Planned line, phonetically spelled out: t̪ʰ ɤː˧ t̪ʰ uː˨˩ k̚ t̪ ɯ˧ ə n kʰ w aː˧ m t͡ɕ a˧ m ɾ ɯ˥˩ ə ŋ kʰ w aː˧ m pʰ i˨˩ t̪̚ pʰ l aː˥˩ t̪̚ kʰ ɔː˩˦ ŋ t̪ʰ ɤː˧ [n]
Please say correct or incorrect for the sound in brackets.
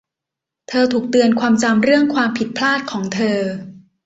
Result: incorrect